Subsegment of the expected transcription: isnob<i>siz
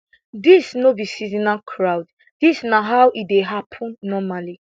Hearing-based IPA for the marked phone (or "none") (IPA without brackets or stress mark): i